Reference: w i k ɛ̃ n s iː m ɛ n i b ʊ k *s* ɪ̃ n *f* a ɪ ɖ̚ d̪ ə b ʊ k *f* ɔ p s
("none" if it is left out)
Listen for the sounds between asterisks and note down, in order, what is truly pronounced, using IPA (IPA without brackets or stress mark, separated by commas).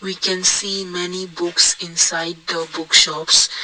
s, s, ʃ